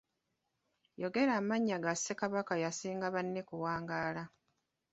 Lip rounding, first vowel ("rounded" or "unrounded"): rounded